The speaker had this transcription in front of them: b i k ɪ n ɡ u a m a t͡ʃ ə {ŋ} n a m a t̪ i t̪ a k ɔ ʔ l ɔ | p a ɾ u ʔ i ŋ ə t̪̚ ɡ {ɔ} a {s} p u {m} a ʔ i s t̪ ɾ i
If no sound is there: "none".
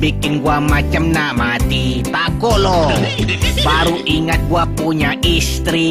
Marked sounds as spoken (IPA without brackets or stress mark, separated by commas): m, u, none, ɲ